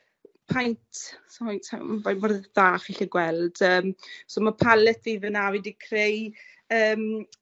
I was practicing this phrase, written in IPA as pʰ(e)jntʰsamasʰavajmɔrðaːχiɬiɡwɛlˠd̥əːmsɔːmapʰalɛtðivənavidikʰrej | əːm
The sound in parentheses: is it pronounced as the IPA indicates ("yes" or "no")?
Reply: no